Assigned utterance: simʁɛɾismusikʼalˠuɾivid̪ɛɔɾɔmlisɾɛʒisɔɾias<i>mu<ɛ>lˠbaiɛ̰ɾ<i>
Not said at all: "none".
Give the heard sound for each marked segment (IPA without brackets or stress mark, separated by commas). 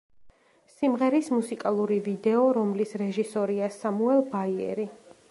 a, ɛ, i